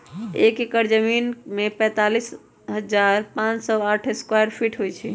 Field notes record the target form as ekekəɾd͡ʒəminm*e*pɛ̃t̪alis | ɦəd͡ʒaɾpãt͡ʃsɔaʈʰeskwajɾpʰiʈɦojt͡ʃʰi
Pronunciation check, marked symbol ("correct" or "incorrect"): correct